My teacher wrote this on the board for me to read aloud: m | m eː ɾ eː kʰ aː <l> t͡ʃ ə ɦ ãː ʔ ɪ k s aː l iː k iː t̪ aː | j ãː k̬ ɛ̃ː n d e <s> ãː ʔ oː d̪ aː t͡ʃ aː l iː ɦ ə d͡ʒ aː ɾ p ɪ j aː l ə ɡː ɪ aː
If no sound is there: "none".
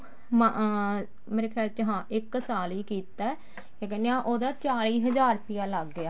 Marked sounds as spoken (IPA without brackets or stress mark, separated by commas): l, none